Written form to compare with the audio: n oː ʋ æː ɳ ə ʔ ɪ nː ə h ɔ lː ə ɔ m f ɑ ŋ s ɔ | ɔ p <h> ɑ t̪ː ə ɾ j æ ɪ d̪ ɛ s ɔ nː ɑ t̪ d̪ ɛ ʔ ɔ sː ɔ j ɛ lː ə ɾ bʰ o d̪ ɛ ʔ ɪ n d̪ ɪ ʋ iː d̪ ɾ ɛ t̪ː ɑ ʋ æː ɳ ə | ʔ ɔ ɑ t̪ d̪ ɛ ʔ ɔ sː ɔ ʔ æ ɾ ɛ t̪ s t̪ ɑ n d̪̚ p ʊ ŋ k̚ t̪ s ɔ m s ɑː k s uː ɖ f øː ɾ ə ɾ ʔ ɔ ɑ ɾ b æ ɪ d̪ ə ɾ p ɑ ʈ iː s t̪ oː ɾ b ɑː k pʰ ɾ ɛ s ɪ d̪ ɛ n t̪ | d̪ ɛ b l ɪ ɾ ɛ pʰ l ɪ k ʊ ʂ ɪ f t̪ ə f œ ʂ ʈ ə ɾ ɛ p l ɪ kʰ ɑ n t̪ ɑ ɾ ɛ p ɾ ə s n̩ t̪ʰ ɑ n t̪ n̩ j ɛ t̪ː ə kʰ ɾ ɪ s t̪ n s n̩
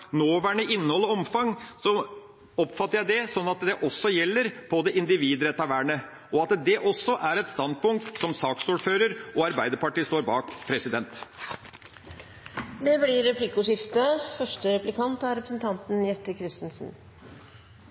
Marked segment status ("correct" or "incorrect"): incorrect